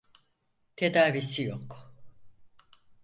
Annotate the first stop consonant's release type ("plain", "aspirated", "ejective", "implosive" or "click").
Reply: aspirated